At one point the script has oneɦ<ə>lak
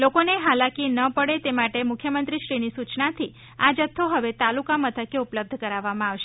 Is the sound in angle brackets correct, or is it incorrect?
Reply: incorrect